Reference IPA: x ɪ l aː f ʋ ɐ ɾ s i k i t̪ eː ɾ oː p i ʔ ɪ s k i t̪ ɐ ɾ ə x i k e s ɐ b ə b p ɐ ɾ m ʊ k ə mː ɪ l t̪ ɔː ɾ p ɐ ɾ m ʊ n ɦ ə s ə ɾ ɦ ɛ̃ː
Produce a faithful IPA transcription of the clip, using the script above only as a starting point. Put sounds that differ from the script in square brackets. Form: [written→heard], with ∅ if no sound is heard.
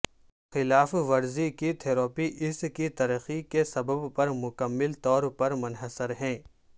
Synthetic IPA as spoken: x ɪ l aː f ʋ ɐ ɾ [s→z] i k i [t̪→t̪ʰ] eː ɾ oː p i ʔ ɪ s k i t̪ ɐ ɾ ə x i k e s ɐ b ə b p ɐ ɾ m ʊ k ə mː ɪ l t̪ ɔː ɾ p ɐ ɾ m ʊ n ɦ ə s ə ɾ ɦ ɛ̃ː